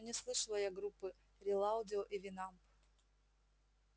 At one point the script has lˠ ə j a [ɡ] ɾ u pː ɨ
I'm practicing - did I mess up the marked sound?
no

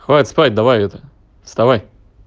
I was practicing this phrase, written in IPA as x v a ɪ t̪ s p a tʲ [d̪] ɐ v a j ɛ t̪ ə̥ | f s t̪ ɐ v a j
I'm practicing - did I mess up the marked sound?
no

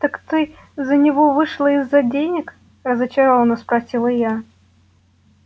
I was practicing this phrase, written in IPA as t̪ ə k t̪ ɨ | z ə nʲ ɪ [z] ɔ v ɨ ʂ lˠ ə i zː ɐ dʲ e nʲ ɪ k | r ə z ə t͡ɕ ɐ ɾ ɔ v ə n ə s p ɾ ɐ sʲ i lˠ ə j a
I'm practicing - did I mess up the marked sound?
yes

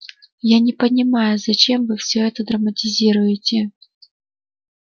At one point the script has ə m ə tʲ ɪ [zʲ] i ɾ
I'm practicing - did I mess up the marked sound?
no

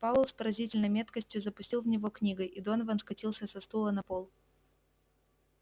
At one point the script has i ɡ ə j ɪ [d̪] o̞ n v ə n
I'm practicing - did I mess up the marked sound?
no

